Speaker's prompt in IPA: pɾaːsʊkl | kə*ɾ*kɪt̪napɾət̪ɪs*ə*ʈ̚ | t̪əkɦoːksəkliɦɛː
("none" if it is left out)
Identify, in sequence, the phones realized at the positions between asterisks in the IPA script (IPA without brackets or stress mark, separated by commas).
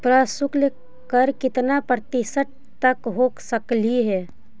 ɾ, ə